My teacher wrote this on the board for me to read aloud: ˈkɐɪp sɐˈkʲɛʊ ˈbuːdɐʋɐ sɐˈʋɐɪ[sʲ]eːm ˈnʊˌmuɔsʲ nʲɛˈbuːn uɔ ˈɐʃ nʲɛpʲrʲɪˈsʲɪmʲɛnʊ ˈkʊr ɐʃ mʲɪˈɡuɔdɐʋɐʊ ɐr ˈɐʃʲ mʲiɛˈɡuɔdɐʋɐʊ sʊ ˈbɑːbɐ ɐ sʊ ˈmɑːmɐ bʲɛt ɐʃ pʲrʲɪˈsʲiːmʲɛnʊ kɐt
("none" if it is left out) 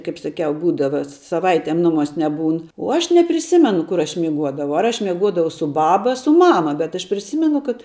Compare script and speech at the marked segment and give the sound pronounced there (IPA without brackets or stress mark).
tʲ